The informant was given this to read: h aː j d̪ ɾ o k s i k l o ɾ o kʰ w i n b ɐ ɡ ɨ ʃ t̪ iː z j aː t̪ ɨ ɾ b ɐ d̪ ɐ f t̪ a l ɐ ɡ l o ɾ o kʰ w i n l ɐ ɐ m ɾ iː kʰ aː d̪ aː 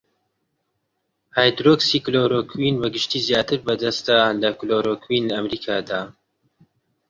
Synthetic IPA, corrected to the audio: h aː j d̪ ɾ o k s i k l o ɾ o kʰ w i n b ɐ ɡ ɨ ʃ t̪ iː z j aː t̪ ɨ ɾ b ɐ d̪ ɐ s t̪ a l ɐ k l o ɾ o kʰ w i n l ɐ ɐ m ɾ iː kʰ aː d̪ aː